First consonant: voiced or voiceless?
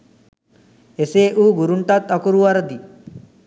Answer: voiceless